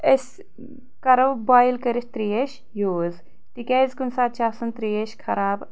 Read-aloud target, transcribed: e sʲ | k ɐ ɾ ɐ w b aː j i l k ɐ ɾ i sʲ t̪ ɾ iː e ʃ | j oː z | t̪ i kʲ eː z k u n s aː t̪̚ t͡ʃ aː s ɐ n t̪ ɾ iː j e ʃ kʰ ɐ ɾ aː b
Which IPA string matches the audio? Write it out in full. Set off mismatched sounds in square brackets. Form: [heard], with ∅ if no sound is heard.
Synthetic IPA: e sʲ | k ɐ ɾ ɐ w b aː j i l k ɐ ɾ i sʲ t̪ ɾ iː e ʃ | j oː z | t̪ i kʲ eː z k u n s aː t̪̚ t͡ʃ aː s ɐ n t̪ ɾ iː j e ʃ kʰ ɐ ɾ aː b